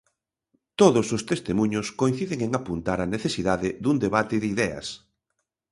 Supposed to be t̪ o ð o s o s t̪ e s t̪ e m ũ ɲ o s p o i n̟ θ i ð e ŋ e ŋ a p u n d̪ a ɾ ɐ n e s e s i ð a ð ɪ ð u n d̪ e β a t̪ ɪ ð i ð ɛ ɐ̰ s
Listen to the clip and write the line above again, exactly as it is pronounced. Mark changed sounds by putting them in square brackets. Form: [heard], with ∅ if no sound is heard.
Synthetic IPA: t̪ o ð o s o s t̪ e s t̪ e m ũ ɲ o s [k] o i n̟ θ i ð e ŋ e ŋ a p u n [t̪] a ɾ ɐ n e [θ] e s i ð a ð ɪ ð u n d̪ e β a t̪ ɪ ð i ð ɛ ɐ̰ s